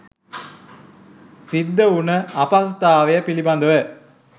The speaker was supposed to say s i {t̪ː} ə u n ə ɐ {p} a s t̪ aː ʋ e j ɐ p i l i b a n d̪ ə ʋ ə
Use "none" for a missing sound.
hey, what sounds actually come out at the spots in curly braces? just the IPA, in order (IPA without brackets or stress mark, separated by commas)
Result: d̪ː, p